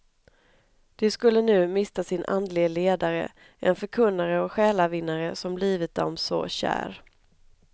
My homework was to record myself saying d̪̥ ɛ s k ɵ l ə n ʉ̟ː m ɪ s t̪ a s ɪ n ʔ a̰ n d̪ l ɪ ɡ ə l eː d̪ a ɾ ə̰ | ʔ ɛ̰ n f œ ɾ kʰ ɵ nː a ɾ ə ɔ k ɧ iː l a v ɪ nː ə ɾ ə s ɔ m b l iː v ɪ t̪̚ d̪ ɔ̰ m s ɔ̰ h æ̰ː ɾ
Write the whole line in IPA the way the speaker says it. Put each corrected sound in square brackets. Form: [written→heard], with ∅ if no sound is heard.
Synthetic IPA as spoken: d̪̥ ɛ s k ɵ [l→lː] ə n ʉ̟ː m ɪ s t̪ a s ɪ n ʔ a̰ n d̪ l ɪ ɡ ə l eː d̪ a ɾ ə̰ | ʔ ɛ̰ n f œ ɾ kʰ ɵ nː a ɾ ə ɔ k ɧ [iː→ɛː] l a v ɪ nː [ə→a] ɾ ə s ɔ m b l iː v ɪ t̪̚ d̪ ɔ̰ m s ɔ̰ [h→ɕ] æ̰ː ɾ